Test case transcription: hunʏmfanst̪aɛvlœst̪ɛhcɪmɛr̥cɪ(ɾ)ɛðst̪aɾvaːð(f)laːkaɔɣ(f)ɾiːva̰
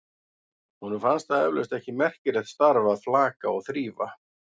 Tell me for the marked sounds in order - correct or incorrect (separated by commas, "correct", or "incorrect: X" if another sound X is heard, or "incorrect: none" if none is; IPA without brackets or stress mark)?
correct, correct, incorrect: θ